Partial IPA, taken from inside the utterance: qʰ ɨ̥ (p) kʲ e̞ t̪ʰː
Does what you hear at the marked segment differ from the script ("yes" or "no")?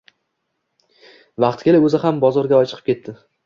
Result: no